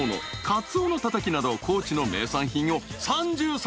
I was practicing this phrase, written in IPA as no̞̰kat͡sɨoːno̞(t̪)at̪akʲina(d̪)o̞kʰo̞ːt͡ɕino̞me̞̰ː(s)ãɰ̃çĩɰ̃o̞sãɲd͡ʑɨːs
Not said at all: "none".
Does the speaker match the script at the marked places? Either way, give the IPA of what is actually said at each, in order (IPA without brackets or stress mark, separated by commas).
t̪, d̪, s